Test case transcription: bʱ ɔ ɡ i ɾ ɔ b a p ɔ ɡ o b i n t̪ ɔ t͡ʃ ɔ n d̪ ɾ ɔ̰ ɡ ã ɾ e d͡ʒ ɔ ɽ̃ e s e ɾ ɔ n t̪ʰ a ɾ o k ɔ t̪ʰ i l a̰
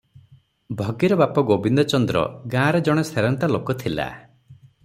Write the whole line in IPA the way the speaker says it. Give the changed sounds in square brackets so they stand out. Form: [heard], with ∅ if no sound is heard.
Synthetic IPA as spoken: bʱ ɔ ɡ i ɾ ɔ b a p ɔ ɡ o b i n [d̪] ɔ t͡ʃ ɔ n d̪ ɾ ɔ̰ ɡ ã ɾ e d͡ʒ ɔ ɽ̃ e s e ɾ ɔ n [t̪] a [l] o k ɔ t̪ʰ i l a̰